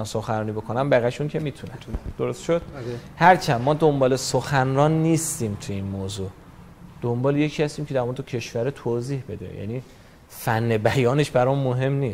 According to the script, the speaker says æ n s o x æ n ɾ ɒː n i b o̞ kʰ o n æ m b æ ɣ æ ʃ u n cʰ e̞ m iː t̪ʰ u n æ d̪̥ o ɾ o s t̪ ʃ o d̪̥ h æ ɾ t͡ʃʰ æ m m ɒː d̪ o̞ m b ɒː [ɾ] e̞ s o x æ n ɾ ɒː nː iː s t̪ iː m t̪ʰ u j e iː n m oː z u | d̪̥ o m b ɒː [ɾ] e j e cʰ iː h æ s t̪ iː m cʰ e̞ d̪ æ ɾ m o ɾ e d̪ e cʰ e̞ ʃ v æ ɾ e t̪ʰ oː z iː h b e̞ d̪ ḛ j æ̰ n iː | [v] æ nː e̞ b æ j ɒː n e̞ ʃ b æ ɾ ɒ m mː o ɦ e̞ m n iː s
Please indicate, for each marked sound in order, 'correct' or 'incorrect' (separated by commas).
incorrect, incorrect, incorrect